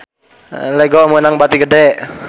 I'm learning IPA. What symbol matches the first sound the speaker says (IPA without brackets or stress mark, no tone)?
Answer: l